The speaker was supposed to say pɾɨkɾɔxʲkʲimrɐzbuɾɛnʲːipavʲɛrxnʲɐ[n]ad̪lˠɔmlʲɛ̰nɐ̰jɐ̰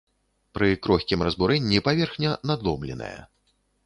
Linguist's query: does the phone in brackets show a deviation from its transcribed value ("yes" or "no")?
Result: no